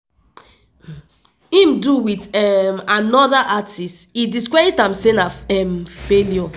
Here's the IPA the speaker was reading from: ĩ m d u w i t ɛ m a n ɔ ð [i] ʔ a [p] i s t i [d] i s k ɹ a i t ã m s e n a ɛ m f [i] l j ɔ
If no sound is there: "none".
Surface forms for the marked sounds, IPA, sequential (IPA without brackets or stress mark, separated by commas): a, t, d, e